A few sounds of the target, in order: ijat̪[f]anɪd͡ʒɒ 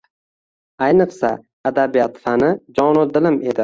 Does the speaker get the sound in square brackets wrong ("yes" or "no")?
no